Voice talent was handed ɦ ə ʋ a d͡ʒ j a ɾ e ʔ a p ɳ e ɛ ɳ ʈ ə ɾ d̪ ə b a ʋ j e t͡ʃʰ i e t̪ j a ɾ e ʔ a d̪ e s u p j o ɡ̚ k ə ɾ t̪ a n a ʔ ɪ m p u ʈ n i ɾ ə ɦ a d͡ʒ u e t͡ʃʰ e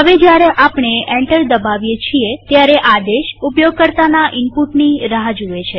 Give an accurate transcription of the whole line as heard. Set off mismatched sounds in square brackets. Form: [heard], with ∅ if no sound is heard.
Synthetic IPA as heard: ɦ ə ʋ [e] d͡ʒ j a ɾ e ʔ a p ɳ e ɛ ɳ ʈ ə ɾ d̪ ə b a ʋ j e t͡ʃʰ i e t̪ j a ɾ e ʔ a d̪ e [ʃ] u p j o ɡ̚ k ə ɾ t̪ a n a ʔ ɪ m p u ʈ n i ɾ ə ɦ a d͡ʒ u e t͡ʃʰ e